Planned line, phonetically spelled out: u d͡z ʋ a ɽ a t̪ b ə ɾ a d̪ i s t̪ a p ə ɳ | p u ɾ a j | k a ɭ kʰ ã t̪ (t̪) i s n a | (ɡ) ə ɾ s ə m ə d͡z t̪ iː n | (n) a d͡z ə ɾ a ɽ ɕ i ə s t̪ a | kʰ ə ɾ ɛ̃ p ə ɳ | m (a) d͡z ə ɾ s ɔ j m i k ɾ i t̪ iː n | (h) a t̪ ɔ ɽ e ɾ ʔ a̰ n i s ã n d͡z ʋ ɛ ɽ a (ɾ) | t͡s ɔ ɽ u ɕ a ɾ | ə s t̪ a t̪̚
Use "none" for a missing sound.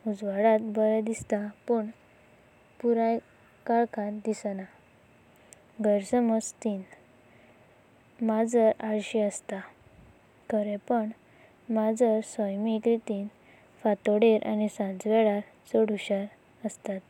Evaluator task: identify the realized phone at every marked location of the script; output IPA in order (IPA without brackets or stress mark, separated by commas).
d̪, ɡ, m, a, f, ɾ